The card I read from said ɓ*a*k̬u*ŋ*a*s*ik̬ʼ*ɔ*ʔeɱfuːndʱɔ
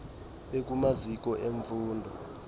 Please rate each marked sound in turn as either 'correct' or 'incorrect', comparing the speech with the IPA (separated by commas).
incorrect, incorrect, incorrect, correct